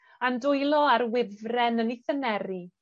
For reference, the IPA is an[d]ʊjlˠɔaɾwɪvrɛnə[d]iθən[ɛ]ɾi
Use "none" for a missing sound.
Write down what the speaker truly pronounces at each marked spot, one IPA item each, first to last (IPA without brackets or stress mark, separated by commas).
d, n, ɛ